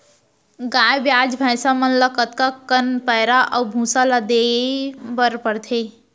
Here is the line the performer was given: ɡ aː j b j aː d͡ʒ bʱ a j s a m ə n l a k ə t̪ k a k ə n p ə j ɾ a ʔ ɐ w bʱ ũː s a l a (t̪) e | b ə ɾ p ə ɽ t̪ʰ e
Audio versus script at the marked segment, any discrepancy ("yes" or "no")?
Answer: yes